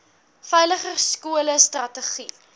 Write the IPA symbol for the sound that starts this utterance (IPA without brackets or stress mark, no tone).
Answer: f